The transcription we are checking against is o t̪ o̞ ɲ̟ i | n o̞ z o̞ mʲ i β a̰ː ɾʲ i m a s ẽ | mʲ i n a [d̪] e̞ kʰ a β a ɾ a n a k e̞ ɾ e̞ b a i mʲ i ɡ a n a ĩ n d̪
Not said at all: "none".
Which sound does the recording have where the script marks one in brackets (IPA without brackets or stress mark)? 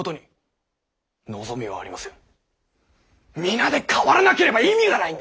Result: d̪